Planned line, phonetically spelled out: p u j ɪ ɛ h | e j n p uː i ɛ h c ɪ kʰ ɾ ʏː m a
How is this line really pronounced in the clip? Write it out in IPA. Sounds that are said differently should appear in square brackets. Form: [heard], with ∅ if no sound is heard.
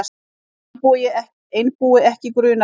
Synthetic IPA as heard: p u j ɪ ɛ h | e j n p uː [ɪ] ɛ h c ɪ [k] ɾ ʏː [n] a